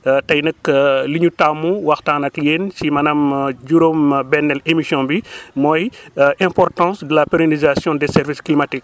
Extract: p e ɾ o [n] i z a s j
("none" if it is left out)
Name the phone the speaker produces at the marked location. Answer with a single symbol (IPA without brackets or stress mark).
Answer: n